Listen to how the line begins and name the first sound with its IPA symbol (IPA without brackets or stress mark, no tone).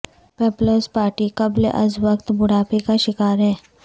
p